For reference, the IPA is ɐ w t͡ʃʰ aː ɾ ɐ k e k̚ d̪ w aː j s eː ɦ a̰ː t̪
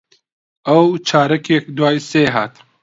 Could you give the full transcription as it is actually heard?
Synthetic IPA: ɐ w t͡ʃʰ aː ɾ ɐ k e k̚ d̪ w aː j s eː ɦ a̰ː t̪